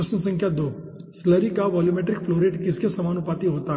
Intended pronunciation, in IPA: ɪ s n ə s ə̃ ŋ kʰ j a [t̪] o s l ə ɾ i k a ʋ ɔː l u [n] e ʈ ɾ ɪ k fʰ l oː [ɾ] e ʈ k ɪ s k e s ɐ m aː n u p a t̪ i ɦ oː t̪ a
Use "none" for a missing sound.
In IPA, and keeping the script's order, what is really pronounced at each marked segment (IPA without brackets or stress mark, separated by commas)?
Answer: d̪, m, ɾ